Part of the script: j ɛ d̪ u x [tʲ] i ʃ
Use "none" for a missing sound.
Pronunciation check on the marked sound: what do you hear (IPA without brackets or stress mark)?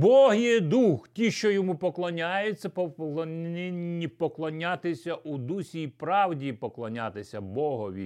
tʲ